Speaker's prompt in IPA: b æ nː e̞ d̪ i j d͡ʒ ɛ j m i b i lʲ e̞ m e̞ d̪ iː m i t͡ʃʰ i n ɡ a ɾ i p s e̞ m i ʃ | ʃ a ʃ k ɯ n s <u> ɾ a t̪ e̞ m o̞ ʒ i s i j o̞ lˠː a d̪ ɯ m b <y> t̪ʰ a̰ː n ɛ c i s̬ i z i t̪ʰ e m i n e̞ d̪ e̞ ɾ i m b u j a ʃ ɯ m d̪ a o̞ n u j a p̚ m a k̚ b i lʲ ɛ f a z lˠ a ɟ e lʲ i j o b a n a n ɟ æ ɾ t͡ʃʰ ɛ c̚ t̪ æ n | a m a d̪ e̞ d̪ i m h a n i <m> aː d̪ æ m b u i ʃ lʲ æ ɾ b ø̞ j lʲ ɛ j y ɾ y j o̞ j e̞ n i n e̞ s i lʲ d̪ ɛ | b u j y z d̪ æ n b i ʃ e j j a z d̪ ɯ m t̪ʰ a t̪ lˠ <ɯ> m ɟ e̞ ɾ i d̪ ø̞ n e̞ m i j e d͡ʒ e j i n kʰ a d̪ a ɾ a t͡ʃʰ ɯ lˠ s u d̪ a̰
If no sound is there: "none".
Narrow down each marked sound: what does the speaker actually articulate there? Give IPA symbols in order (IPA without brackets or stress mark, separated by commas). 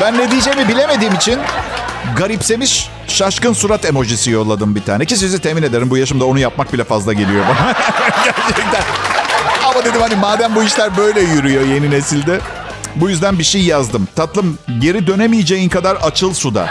u, i, m, ɯ